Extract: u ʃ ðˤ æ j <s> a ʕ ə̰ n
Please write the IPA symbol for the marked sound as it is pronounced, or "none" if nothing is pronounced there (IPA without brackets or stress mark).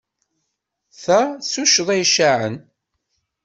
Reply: ʃ